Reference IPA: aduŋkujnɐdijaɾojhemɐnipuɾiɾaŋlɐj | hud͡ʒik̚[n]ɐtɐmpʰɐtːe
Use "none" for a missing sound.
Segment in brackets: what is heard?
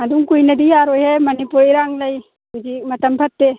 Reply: m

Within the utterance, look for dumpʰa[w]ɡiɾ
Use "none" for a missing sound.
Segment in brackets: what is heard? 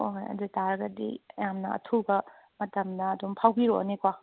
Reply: w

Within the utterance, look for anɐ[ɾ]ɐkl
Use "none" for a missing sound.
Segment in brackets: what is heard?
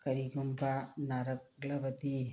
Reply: ɾ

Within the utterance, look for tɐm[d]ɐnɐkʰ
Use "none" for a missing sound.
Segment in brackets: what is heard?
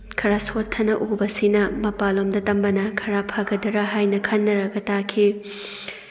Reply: b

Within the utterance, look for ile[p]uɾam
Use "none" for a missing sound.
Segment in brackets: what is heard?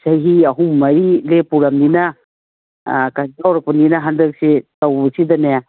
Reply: p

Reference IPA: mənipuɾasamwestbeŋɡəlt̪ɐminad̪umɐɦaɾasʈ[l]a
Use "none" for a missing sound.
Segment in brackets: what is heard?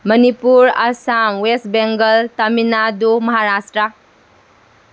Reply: ɾ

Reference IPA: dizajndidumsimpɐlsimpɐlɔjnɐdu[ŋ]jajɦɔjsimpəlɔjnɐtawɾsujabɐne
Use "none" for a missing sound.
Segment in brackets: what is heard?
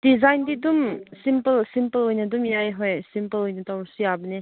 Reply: m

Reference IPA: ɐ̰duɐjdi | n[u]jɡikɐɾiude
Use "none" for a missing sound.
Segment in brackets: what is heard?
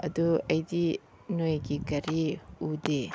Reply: o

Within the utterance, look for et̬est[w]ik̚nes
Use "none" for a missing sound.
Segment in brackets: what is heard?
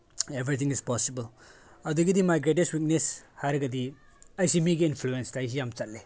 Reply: w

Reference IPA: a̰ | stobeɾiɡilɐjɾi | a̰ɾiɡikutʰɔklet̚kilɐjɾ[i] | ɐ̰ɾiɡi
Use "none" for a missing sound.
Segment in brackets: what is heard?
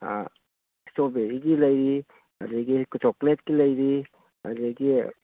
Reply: i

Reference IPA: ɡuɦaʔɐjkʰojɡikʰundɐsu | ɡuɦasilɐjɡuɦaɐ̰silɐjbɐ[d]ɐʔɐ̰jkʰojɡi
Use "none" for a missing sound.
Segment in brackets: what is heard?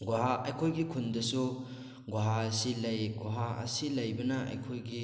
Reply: n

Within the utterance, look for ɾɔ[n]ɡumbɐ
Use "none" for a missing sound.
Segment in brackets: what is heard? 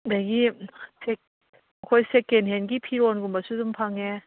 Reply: n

